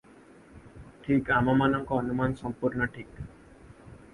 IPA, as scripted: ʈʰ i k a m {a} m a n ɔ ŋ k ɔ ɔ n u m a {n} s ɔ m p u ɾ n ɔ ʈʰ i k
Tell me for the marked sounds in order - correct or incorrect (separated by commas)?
correct, correct